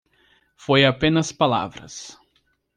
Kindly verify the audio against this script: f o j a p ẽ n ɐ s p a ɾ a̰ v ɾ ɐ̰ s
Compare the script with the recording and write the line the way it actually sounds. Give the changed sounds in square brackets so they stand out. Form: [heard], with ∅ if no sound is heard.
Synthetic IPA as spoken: f o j a p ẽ n ɐ s p a [l] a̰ v ɾ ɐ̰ s